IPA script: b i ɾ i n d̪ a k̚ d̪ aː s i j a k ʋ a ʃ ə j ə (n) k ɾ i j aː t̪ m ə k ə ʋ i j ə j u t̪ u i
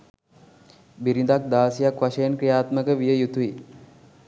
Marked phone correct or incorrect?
correct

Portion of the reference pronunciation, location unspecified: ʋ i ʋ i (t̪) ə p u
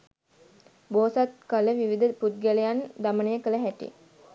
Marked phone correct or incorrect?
incorrect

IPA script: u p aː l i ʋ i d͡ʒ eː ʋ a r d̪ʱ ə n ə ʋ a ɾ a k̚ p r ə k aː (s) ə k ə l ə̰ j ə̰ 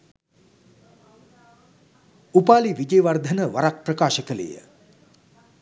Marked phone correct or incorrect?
incorrect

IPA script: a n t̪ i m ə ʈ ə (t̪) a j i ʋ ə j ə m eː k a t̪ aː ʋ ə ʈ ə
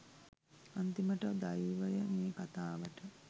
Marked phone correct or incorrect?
incorrect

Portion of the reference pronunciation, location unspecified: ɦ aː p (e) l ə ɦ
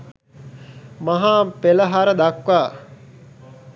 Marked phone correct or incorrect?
correct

